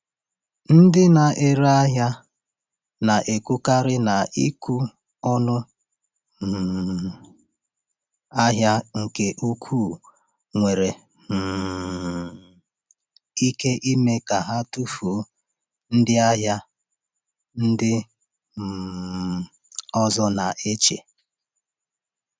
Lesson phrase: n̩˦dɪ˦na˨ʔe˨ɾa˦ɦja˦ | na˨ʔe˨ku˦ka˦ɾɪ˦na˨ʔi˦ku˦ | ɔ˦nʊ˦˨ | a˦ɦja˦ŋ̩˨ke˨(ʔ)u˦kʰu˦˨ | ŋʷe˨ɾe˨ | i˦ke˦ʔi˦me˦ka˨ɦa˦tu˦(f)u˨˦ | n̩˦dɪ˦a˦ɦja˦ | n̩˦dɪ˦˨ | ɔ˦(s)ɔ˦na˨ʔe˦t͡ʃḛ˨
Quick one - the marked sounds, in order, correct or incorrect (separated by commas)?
correct, correct, incorrect